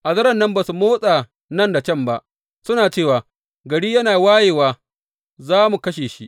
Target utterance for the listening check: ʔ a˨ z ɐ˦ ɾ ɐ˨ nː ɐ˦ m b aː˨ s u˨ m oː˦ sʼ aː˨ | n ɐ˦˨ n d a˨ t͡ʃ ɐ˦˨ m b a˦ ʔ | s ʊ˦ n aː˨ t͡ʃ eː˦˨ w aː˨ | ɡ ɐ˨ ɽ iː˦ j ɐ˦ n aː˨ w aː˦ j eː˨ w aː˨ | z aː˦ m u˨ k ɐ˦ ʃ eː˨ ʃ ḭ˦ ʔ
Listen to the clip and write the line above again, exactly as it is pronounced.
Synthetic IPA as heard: ʔ a˨ z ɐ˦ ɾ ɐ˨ nː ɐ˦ m b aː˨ s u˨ m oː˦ sʼ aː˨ | n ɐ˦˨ n d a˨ t͡ʃ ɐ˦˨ m b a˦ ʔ | s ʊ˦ n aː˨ t͡ʃ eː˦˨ w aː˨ | ɡ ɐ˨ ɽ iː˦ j ɐ˦ n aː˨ w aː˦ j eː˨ w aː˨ | z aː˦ m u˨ k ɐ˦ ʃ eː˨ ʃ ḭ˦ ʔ